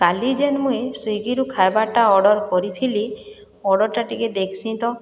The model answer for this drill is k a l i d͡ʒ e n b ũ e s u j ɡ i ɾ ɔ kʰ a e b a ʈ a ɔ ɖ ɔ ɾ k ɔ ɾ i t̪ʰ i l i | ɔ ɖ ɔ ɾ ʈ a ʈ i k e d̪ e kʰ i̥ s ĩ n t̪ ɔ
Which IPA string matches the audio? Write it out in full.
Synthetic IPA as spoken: k a l i d͡ʒ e n m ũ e s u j ɡ i ɾ u kʰ a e b a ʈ a ɔ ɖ ɔ ɾ k ɔ ɾ i t̪ʰ i l i | ɔ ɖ ɔ ɾ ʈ a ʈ i k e d̪ e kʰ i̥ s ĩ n t̪ ɔ